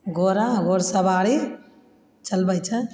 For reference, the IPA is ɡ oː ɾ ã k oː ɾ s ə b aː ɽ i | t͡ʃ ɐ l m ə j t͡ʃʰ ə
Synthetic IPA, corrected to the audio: ɡ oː ɾ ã ɡ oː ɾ s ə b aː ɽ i | t͡ʃ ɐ l b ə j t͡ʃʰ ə